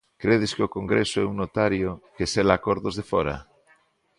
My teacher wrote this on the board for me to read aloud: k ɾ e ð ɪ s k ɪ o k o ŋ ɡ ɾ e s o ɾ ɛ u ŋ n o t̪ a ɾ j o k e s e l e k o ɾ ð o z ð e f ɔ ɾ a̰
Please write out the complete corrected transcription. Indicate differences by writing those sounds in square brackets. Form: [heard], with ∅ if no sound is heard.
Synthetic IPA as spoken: k ɾ e ð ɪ s k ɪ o k o ŋ ɡ ɾ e s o [∅] ɛ u ŋ n o t̪ a ɾ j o k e s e l [a] k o ɾ ð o z ð e f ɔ ɾ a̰

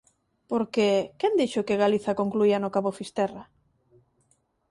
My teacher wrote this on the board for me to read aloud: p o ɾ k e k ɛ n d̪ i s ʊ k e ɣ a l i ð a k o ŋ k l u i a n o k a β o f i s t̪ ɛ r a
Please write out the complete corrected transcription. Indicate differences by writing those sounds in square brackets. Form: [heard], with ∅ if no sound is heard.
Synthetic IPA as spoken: p o ɾ k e k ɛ n d̪ i [ʃ] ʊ k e ɣ a l i [θ] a k o ŋ k l u i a n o k a β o f i s t̪ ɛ r a

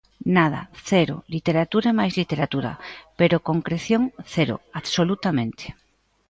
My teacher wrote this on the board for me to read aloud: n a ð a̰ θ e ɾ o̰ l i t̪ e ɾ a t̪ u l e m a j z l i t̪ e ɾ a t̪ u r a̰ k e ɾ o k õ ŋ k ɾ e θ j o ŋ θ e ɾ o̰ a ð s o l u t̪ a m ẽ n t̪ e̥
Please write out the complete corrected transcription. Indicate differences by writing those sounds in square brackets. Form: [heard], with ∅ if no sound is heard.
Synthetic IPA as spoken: n a ð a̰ θ e ɾ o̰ l i t̪ e ɾ a t̪ u [ɾ] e m a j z l i t̪ e ɾ a t̪ u [ɾ] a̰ [p] e ɾ o k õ ŋ k ɾ e θ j o ŋ θ e ɾ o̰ a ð s o l u t̪ a m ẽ n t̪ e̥

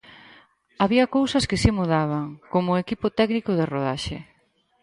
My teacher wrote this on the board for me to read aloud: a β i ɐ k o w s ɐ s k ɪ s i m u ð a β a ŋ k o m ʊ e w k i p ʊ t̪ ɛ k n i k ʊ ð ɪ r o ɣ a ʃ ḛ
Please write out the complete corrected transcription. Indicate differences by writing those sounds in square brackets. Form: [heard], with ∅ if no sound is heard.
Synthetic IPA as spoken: a β i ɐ k o w s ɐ s k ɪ s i m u ð a β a ŋ k o m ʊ e [∅] k i p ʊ t̪ ɛ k n i k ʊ ð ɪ r o [ð] a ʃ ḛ

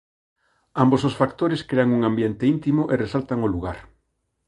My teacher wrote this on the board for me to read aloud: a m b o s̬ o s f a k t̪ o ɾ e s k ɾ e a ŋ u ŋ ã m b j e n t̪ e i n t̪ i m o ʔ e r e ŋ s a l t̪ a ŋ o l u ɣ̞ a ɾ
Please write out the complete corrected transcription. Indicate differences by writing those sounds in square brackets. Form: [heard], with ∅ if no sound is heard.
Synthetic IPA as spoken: a m b o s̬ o s f a k t̪ o ɾ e s k ɾ e a ŋ u ŋ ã m b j e n t̪ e i n t̪ i m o ʔ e r e [∅] s a l t̪ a ŋ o l u ɣ̞ a ɾ

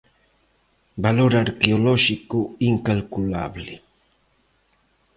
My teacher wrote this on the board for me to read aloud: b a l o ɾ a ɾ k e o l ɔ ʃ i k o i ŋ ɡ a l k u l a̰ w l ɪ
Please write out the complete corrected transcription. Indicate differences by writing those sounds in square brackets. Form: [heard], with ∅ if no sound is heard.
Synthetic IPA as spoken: b a l o ɾ a ɾ k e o l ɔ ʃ i k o i ŋ [k] a l k u l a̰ [β] l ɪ

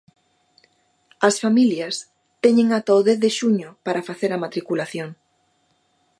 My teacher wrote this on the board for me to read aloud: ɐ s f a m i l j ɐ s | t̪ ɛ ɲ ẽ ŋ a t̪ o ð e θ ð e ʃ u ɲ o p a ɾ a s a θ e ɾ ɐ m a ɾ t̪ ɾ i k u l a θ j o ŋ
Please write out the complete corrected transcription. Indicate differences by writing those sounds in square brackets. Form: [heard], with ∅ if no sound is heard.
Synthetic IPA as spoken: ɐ s f a m i l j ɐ s | t̪ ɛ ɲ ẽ ŋ a t̪ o ð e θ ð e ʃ u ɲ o p a ɾ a [f] a θ e ɾ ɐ m a [∅] t̪ ɾ i k u l a θ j o ŋ

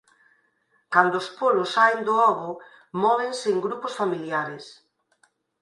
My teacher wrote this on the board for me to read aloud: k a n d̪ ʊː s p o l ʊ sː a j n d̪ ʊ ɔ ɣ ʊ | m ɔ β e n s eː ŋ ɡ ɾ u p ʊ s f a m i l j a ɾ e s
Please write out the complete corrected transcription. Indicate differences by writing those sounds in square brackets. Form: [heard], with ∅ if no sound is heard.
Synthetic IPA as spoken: k a n d̪ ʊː s p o l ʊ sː a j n d̪ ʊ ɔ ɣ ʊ | m ɔ β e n s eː ŋ ɡ ɾ u p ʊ s f a m i l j a ɾ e s

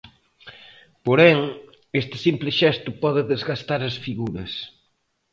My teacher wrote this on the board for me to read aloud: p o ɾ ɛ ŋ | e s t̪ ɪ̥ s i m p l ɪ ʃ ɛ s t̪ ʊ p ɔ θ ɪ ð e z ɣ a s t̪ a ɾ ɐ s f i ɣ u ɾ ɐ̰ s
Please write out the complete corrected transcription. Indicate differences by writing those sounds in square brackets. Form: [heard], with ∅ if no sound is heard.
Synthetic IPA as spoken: p o ɾ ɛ ŋ | e s t̪ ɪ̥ s i m p l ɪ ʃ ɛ s t̪ ʊ p ɔ [ð] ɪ ð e z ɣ a s t̪ a ɾ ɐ s f i ɣ u ɾ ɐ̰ s

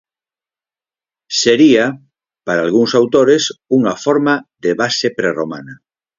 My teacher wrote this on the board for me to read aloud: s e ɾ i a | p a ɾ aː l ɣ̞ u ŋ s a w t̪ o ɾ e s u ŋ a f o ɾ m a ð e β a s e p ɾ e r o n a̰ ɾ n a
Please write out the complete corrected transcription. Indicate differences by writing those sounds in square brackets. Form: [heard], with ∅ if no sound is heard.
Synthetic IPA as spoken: s e ɾ i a | p a ɾ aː l ɣ̞ u ŋ s a w t̪ o ɾ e s u ŋ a f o ɾ m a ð e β a s e p ɾ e r o [m] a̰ [∅] n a

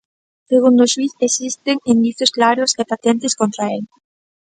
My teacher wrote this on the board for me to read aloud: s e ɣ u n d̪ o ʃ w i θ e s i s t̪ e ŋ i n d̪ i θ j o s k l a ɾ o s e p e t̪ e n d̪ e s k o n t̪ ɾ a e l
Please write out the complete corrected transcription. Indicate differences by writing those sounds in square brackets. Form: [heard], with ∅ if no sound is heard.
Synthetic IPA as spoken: s e ɣ u n d̪ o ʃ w i θ e s i s t̪ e ŋ i n d̪ i θ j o s k l a ɾ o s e p [a] t̪ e n [t̪] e s k o n t̪ ɾ a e l

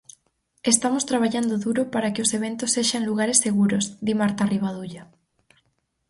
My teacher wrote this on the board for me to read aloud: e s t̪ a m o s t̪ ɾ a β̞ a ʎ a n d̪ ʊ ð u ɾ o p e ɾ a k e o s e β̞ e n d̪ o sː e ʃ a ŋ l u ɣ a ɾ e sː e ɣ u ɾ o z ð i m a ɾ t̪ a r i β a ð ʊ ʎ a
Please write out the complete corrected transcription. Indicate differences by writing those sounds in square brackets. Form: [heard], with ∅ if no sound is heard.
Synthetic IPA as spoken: e s t̪ a m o s t̪ ɾ a β̞ a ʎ a n d̪ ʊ ð u ɾ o p [a] ɾ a k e o s e β̞ e n [t̪] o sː e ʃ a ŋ l u ɣ a ɾ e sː e ɣ u ɾ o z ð i m a ɾ t̪ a r i β a ð [u] ʎ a

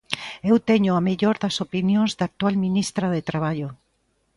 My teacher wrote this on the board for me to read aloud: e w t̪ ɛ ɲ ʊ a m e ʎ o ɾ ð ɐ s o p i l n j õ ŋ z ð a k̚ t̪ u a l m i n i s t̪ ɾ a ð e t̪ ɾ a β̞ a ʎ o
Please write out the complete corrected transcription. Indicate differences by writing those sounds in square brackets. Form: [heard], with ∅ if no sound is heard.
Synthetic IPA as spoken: e w t̪ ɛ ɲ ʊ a m e ʎ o ɾ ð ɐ s o p i [∅] n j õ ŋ z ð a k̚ t̪ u a l m i n i s t̪ ɾ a ð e t̪ ɾ a β̞ a ʎ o

